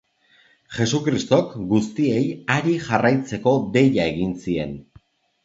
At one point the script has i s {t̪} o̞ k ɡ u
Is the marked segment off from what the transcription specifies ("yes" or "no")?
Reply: no